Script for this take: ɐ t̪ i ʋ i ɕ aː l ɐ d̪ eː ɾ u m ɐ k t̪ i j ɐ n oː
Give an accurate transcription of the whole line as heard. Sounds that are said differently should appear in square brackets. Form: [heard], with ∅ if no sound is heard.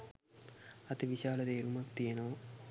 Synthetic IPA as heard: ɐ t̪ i ʋ i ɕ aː l ɐ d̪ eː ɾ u m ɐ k t̪ i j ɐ n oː